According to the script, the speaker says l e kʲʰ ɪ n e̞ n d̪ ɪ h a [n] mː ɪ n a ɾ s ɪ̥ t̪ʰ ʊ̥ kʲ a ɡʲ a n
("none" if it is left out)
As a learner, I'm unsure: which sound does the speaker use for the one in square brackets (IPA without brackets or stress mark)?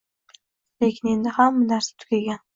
none